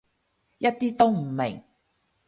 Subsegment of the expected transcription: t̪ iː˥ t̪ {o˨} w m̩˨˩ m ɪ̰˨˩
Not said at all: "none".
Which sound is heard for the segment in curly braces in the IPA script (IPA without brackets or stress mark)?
o˥